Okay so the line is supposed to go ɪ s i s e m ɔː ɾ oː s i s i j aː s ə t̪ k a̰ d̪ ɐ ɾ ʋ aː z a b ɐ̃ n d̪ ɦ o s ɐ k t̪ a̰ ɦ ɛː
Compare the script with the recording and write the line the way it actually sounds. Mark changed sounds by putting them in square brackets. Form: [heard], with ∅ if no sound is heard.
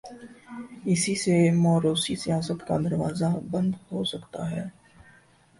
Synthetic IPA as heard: ɪ s i s e m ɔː ɾ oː s i s i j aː s ə t̪ k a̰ d̪ ɐ ɾ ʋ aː z a b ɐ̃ n d̪ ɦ o s ɐ k t̪ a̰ ɦ ɛː